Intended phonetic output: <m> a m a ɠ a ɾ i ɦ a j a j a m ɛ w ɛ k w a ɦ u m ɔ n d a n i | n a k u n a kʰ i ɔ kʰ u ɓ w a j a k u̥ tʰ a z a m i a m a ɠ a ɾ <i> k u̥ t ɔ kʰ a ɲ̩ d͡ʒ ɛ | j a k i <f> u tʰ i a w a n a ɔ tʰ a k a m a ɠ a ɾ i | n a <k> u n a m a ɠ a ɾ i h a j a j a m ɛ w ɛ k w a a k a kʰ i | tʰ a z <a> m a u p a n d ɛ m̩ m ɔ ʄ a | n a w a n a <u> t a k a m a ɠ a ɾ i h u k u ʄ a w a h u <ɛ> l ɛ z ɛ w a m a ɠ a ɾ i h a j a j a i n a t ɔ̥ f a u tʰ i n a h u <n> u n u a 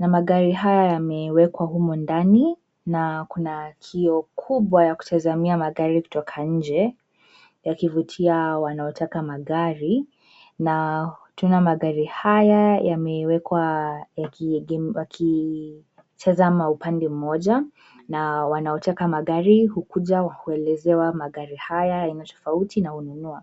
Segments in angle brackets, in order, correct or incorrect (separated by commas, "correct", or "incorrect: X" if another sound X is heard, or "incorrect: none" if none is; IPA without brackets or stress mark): incorrect: n, correct, incorrect: v, incorrect: t, correct, incorrect: ɔ, correct, correct